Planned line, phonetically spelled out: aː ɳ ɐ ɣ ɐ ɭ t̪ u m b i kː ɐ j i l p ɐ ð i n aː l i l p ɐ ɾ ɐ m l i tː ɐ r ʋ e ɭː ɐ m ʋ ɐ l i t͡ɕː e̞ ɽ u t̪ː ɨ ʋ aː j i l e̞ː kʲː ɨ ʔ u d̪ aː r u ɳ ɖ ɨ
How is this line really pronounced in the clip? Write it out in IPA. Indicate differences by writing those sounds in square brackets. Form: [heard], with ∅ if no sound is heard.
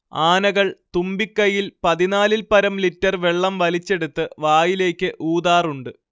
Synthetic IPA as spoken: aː [n] ɐ ɣ ɐ ɭ t̪ u m b i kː ɐ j i l p ɐ ð i n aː l i l p ɐ ɾ ɐ m l i tː ɐ r ʋ e ɭː ɐ m ʋ ɐ l i t͡ɕː e̞ ɽ u t̪ː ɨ ʋ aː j i l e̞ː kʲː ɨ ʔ [uː] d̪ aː r u ɳ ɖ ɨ